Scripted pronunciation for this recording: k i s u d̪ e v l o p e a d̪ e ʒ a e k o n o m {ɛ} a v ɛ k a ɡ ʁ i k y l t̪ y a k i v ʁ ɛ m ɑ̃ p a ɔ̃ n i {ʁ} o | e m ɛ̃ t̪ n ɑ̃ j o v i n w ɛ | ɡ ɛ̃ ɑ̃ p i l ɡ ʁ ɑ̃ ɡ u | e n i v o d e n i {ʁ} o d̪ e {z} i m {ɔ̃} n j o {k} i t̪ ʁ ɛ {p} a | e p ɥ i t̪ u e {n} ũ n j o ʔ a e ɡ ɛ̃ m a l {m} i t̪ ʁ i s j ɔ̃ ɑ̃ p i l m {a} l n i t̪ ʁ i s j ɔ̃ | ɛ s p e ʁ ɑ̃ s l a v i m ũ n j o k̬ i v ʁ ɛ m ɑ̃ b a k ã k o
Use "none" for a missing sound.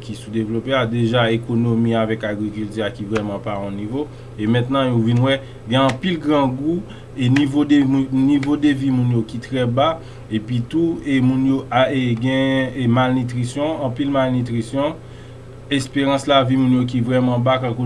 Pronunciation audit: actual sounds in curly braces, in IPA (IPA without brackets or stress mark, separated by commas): i, v, v, v, ũ, k, b, m, n, a